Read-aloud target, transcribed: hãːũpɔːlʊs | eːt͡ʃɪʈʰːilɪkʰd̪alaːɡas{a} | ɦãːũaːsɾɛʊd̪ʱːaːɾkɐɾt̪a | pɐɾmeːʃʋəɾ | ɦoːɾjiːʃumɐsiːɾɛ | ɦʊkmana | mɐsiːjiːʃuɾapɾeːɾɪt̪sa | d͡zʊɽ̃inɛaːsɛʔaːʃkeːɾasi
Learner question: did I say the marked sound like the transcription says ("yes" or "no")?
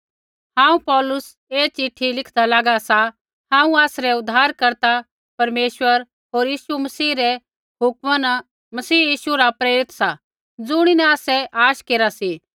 yes